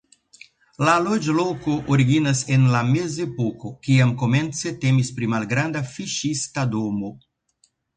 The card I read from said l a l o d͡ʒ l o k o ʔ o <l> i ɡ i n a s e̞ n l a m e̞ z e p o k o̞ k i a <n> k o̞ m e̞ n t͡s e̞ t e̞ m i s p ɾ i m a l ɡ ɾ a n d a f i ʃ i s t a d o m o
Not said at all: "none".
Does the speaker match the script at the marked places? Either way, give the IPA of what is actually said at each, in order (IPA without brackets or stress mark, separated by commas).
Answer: ɾ, m